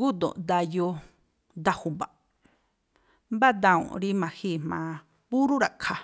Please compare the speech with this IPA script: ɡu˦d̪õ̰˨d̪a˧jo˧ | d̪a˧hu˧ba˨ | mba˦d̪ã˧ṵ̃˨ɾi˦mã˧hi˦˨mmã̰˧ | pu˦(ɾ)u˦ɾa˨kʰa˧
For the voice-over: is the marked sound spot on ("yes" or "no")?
yes